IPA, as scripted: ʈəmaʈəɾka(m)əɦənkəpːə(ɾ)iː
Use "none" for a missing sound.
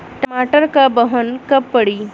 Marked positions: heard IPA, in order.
b, ɽ

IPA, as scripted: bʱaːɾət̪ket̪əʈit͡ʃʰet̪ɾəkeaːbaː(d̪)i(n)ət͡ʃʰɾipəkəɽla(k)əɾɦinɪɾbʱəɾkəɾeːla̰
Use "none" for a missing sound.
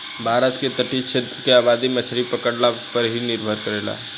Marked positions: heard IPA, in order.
d̪, m, p

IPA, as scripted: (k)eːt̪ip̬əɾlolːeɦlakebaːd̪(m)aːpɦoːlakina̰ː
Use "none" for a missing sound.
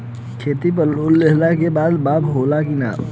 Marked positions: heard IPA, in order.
kʰ, b

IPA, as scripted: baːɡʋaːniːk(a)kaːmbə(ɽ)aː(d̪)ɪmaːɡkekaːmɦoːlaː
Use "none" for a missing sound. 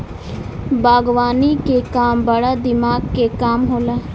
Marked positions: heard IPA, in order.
e, ɽ, d̪

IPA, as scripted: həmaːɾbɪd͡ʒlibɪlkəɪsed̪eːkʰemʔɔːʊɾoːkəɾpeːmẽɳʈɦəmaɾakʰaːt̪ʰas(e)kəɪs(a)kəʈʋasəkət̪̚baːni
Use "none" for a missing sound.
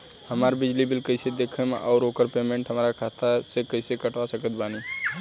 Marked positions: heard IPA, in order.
e, e

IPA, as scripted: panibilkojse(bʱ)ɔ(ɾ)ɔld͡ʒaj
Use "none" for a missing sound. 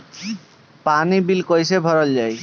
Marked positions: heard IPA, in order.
bʱ, ɾ

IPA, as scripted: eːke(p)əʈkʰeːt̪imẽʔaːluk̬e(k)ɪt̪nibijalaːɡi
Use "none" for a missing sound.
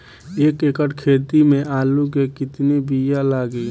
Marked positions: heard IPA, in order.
k, k

